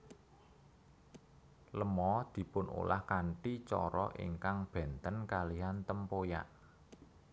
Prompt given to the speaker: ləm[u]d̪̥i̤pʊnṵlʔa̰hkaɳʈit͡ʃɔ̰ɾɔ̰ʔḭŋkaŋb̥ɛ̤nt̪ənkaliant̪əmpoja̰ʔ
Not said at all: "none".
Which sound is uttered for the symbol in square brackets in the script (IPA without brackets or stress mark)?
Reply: ɔ